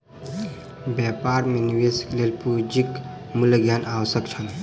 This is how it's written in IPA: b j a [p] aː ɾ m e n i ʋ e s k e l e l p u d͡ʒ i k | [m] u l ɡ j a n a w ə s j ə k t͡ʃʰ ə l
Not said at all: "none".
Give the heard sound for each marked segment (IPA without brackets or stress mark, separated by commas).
p, m